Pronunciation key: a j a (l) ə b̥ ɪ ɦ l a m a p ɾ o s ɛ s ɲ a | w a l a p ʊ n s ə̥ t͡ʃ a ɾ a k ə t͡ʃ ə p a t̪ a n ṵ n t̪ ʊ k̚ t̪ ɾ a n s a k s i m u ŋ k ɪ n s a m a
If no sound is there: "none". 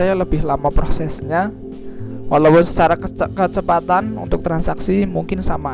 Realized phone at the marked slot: l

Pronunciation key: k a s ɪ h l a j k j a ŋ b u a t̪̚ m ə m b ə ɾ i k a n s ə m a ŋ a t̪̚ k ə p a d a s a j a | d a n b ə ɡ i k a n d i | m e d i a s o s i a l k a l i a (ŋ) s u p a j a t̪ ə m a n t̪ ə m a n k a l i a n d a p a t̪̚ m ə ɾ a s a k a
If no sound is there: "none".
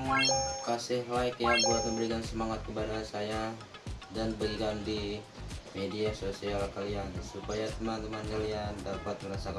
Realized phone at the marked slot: n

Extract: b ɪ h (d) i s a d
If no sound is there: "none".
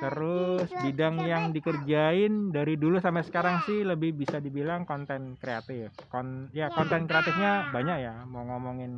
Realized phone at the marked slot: b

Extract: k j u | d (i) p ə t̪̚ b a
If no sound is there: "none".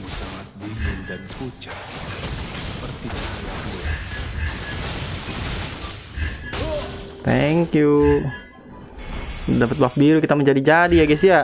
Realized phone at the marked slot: a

